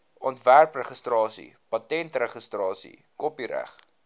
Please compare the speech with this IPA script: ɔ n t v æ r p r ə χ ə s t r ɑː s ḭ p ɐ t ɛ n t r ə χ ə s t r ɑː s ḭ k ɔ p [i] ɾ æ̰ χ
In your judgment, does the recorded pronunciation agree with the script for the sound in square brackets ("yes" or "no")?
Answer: yes